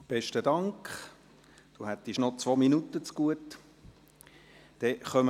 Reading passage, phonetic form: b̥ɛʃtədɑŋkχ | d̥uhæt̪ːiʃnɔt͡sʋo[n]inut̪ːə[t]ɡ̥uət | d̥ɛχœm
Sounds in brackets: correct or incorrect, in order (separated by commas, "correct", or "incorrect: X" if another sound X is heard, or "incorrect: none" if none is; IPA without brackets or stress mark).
incorrect: m, incorrect: t͡s